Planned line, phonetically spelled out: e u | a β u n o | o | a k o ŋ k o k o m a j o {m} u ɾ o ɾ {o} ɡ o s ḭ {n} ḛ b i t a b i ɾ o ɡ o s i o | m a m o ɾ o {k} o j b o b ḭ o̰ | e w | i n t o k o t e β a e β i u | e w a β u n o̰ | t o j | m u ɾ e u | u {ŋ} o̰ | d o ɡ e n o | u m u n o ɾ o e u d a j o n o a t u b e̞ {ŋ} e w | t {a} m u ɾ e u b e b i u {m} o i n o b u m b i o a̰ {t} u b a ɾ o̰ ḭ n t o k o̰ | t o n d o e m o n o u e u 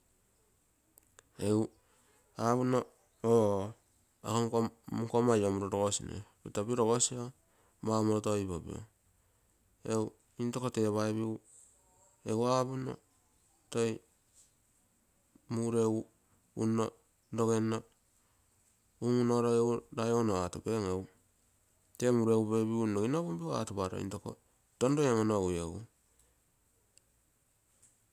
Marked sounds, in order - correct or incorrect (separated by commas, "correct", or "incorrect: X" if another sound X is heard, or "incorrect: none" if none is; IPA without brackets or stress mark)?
correct, correct, correct, incorrect: t, incorrect: n, correct, incorrect: e, incorrect: n, correct